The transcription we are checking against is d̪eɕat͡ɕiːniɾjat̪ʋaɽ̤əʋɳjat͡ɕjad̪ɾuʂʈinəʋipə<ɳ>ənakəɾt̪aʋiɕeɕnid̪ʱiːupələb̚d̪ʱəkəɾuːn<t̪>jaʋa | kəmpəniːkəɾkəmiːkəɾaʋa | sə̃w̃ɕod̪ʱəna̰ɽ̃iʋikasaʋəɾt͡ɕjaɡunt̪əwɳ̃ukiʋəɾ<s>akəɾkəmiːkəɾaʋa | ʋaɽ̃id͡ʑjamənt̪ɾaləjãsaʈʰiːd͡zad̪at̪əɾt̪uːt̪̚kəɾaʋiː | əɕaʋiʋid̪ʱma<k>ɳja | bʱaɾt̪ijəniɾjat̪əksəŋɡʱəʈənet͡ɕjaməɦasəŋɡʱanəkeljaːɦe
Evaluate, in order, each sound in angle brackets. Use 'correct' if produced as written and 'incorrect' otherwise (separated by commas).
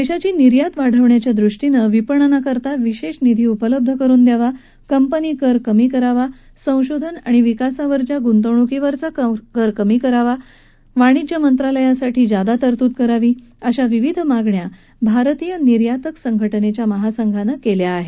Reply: correct, incorrect, incorrect, incorrect